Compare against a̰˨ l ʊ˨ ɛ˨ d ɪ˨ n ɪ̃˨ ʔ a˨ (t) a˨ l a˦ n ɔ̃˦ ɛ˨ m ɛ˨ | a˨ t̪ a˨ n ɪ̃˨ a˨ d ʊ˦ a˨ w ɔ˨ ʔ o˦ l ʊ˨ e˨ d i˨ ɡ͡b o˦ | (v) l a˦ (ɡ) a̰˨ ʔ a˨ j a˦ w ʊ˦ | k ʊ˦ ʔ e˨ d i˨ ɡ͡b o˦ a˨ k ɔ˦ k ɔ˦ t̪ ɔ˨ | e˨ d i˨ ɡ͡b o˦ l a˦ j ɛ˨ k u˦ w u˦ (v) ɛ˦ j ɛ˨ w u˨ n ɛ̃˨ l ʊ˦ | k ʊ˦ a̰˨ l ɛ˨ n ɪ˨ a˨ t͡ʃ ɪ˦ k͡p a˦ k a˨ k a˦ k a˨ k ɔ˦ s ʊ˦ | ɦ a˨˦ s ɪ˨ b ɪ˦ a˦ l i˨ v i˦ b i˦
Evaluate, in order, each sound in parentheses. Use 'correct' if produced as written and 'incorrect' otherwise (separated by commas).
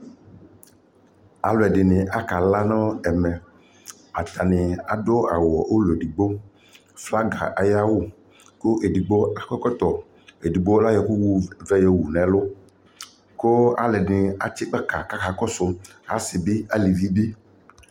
incorrect, incorrect, correct, correct